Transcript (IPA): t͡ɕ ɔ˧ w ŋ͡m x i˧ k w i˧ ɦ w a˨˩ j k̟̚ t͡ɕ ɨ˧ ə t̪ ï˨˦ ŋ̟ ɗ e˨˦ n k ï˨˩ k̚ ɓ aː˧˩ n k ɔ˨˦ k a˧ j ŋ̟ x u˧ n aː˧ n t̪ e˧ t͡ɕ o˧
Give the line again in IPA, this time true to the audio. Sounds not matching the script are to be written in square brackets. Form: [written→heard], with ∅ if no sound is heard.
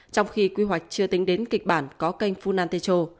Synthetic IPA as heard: t͡ɕ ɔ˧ w ŋ͡m x i˧ k w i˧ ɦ w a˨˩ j k̟̚ t͡ɕ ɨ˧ ə t̪ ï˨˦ ŋ̟ ɗ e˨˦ n k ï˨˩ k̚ ɓ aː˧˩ n k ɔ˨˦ k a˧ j ŋ̟ [x→f] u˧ n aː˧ n t̪ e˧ t͡ɕ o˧